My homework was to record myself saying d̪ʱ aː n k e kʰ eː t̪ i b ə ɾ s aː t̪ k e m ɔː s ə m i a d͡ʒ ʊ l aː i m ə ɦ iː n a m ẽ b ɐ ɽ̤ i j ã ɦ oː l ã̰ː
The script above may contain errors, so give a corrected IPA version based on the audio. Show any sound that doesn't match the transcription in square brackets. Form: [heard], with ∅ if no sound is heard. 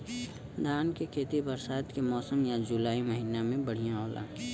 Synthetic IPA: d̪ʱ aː n k e kʰ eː t̪ i b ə ɾ s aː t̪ k e m ɔː s ə m [j] a d͡ʒ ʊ l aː i m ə ɦ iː n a m ẽ b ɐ ɽ̤ i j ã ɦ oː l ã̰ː